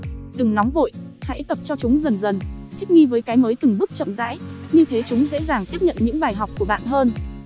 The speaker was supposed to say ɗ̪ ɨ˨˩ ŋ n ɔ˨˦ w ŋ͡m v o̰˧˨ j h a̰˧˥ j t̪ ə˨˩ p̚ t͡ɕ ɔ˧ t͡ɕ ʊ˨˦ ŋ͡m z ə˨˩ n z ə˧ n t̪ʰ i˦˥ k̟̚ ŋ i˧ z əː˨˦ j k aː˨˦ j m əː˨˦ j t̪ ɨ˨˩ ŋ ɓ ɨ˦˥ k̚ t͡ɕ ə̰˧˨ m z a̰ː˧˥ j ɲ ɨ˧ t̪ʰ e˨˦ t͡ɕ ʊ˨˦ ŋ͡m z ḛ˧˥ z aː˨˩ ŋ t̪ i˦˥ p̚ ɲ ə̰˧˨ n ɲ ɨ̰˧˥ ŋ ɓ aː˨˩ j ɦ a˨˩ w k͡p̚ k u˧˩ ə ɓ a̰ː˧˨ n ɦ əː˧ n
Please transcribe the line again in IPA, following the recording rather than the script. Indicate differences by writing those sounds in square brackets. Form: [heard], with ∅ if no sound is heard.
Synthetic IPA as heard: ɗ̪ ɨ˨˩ ŋ n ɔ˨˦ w ŋ͡m v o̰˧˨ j h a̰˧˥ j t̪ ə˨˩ p̚ t͡ɕ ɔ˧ t͡ɕ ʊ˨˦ ŋ͡m z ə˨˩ n z [ə˨˩] n t̪ʰ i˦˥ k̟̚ ŋ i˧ [v] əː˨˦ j k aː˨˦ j m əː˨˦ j t̪ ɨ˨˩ ŋ ɓ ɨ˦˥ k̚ t͡ɕ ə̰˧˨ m z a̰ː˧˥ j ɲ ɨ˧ t̪ʰ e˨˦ t͡ɕ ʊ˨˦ ŋ͡m z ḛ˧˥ z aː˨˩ ŋ t̪ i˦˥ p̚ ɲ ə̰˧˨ n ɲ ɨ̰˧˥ ŋ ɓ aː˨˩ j ɦ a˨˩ w k͡p̚ k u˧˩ ə ɓ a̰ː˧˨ n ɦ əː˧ n

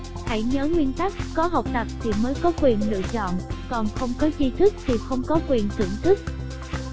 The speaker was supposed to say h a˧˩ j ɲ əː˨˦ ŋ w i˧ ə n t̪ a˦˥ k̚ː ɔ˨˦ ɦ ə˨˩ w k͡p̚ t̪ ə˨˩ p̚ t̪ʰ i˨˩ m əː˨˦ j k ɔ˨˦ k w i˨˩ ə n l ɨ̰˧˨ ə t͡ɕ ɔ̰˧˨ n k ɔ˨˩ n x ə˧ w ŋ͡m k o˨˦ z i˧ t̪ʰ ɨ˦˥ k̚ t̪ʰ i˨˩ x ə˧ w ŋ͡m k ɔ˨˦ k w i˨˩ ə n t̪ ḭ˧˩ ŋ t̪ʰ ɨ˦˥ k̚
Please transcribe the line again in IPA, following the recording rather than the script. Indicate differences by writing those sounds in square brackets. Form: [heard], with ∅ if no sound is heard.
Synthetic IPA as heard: h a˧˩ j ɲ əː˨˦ ŋ w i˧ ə n t̪ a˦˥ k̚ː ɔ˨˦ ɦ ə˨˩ w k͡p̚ t̪ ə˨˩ p̚ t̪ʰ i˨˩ m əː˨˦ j k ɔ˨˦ k w i˨˩ ə n l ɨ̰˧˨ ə t͡ɕ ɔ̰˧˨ n k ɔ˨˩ n x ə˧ w ŋ͡m k [ɔ˨˦] z i˧ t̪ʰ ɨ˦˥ k̚ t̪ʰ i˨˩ x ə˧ w ŋ͡m k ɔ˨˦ k w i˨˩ ə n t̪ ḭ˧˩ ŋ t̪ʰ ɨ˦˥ k̚

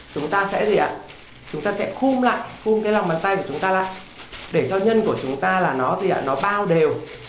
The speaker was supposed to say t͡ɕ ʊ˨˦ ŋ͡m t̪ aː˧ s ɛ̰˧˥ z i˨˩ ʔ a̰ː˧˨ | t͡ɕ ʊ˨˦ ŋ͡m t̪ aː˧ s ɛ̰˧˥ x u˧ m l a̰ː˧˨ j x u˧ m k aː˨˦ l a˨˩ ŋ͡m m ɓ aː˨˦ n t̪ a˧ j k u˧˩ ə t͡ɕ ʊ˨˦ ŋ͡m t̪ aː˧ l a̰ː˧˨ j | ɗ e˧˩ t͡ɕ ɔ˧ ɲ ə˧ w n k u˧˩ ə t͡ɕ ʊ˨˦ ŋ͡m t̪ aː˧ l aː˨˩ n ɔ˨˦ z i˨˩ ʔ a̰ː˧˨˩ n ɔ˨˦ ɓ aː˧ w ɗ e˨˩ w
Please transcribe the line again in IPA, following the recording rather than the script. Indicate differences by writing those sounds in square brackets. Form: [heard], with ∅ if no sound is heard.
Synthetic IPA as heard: t͡ɕ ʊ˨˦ ŋ͡m t̪ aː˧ s ɛ̰˧˥ z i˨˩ ʔ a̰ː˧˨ | t͡ɕ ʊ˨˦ ŋ͡m t̪ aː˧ s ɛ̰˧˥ x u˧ m l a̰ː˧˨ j x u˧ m k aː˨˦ l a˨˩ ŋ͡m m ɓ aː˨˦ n t̪ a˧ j k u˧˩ ə t͡ɕ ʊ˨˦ ŋ͡m t̪ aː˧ l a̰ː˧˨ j | ɗ e˧˩ t͡ɕ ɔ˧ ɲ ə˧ [∅] n k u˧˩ ə t͡ɕ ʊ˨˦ ŋ͡m t̪ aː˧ l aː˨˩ n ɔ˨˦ z i˨˩ ʔ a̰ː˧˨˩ n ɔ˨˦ ɓ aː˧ w ɗ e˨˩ w

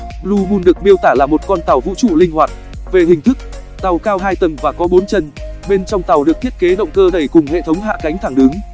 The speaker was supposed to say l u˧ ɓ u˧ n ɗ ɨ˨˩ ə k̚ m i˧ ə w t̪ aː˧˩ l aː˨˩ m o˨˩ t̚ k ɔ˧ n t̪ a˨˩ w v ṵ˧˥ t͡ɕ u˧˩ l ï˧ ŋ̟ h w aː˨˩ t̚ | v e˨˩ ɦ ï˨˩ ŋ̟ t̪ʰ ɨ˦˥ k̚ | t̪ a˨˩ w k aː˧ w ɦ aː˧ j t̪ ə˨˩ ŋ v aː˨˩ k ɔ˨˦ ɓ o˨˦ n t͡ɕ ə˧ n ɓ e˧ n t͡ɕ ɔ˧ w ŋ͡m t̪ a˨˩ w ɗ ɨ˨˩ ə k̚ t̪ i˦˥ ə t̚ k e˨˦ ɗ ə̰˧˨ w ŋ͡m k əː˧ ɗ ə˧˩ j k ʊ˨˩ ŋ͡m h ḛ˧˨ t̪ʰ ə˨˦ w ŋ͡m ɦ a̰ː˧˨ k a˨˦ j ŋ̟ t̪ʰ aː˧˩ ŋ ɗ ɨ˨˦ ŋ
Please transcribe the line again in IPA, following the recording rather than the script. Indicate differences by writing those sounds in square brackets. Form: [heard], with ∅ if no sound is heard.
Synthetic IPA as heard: l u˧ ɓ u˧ n ɗ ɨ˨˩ ə k̚ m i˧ ə w t̪ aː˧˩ l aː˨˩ m o˨˩ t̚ k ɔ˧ n t̪ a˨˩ w v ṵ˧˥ t͡ɕ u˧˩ l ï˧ ŋ̟ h w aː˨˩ t̚ | v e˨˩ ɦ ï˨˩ ŋ̟ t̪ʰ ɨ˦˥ k̚ | t̪ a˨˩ w k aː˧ w ɦ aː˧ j t̪ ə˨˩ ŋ v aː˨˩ k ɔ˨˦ ɓ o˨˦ n t͡ɕ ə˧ n ɓ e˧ n t͡ɕ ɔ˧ w ŋ͡m t̪ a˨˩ w ɗ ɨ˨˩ ə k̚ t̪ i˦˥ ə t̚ k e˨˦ ɗ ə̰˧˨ w ŋ͡m k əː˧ ɗ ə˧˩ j k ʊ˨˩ ŋ͡m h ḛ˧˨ t̪ʰ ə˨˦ w ŋ͡m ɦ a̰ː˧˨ k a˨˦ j ŋ̟ t̪ʰ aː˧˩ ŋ ɗ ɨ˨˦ ŋ

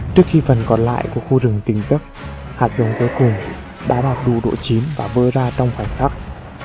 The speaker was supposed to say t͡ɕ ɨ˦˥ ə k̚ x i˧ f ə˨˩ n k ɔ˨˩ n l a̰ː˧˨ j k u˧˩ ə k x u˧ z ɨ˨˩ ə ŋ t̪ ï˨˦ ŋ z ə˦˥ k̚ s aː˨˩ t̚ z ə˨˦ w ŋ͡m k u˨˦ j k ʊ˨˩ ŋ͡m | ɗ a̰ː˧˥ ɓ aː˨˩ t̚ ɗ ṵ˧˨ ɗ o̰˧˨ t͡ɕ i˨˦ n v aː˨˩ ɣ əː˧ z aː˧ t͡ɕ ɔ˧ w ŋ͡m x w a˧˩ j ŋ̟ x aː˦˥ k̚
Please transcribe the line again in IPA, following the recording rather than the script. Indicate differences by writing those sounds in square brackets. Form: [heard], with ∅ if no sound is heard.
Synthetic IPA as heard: t͡ɕ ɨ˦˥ ə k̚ x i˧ f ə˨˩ n k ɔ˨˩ n l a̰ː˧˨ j k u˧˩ ə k x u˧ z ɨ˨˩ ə ŋ t̪ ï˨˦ ŋ z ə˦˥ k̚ [h] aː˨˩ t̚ z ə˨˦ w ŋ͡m k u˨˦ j k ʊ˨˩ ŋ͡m | ɗ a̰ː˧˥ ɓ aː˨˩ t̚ ɗ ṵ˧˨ ɗ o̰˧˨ t͡ɕ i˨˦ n v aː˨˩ [v] əː˧ z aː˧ t͡ɕ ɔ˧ w ŋ͡m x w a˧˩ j ŋ̟ x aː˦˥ k̚

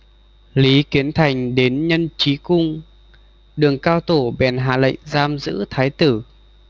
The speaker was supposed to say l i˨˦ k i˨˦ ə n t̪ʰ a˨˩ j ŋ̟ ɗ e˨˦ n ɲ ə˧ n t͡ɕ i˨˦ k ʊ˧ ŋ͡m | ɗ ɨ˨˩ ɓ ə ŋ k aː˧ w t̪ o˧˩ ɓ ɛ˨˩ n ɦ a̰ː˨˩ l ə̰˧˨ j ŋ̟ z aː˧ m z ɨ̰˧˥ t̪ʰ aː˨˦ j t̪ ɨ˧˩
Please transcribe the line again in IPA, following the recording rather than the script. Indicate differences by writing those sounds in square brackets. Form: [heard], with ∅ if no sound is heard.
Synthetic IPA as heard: l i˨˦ k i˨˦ ə n t̪ʰ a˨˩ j ŋ̟ ɗ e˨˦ n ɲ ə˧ n t͡ɕ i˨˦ k ʊ˧ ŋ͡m | ɗ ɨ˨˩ [∅] ə ŋ k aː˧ w t̪ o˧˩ ɓ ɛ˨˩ n ɦ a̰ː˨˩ l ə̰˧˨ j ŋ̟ z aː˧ m z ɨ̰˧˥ t̪ʰ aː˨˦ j t̪ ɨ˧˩

